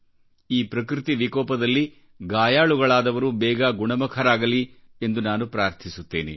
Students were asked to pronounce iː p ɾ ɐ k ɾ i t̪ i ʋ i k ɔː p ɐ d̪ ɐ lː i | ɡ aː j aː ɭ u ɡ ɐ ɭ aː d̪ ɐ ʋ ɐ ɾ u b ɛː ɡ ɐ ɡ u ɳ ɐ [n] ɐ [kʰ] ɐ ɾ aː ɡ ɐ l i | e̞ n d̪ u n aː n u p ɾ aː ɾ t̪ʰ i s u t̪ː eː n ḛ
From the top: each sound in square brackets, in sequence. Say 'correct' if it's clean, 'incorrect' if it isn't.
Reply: incorrect, correct

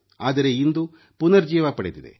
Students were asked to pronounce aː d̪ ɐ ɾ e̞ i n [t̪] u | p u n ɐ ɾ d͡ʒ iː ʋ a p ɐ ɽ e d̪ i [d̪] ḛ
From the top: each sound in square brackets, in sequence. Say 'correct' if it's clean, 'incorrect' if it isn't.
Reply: incorrect, correct

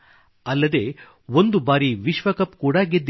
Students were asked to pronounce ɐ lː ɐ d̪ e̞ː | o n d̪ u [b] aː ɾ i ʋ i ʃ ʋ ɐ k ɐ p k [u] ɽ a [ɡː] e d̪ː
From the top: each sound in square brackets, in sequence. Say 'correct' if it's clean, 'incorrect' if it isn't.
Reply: correct, incorrect, incorrect

